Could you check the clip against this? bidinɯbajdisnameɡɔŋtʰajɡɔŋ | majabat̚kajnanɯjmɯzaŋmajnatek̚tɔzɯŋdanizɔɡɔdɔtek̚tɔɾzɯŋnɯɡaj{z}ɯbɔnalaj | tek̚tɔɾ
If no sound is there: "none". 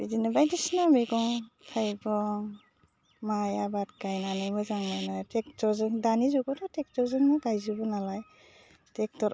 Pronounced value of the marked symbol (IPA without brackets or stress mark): z